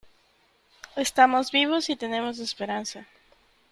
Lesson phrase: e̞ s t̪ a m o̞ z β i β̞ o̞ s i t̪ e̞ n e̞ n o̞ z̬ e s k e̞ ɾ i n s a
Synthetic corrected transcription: e̞ s t̪ a m o̞ z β i β̞ o̞ s i t̪ e̞ n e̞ m o̞ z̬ e s p e̞ ɾ a n s a